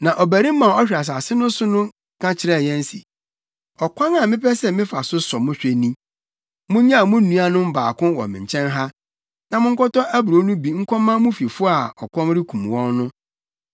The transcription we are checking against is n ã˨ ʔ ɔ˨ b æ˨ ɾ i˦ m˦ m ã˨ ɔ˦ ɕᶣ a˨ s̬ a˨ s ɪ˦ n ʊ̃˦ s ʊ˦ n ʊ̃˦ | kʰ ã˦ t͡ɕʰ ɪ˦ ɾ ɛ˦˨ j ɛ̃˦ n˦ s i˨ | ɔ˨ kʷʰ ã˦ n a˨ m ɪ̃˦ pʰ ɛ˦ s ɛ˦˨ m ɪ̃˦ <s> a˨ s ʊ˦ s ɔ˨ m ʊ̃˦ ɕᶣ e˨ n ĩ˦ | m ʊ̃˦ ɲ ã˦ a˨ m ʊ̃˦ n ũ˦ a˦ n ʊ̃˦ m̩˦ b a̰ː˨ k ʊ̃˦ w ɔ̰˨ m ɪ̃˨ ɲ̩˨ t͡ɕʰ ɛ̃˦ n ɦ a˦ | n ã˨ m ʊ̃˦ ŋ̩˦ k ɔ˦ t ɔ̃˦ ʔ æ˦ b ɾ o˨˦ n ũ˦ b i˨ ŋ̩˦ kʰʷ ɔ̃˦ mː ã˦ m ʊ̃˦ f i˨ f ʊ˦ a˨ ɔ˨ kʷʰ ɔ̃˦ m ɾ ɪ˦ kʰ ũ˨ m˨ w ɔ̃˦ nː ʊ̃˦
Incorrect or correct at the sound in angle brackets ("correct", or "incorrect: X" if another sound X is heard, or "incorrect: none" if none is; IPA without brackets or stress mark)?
incorrect: f